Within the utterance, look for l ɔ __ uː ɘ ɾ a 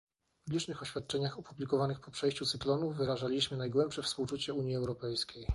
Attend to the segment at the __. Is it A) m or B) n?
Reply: B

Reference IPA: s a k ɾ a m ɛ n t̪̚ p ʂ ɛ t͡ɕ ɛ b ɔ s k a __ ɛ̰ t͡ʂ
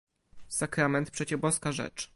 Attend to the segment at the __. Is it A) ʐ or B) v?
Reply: A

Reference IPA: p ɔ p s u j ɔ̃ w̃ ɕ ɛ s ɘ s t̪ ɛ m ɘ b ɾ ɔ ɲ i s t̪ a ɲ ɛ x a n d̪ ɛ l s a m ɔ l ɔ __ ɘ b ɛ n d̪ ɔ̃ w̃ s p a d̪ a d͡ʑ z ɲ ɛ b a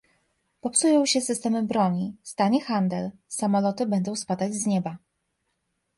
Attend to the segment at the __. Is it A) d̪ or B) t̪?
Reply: B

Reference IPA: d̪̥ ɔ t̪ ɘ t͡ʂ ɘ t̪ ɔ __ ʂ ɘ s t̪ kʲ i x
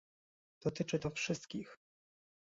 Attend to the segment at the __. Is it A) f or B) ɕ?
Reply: A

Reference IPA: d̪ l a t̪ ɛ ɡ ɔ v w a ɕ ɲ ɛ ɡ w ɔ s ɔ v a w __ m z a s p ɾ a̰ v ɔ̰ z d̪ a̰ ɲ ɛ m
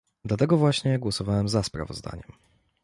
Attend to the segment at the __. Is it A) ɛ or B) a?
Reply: A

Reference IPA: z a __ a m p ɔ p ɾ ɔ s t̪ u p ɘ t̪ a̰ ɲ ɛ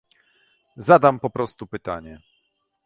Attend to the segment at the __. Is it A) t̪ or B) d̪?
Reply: B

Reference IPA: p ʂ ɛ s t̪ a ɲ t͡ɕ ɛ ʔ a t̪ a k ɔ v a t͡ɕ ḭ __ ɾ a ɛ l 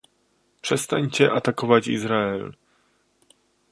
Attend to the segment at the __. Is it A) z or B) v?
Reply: A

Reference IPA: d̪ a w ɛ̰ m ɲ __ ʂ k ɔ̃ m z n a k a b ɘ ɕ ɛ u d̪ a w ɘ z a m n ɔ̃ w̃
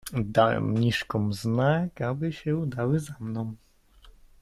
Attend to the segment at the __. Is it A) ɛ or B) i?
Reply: B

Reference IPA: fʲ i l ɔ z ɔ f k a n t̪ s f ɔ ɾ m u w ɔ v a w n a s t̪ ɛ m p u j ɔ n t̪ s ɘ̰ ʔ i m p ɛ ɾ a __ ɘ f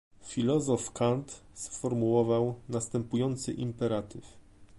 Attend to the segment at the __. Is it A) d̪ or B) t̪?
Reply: B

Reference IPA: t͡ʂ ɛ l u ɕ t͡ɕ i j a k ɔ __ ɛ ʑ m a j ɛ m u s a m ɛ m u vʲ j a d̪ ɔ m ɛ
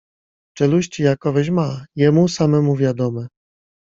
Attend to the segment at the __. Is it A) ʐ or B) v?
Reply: B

